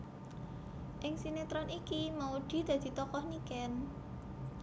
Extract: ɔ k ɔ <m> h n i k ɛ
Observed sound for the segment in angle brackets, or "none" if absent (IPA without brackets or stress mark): none